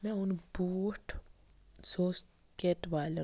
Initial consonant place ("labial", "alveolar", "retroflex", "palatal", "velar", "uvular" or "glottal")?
labial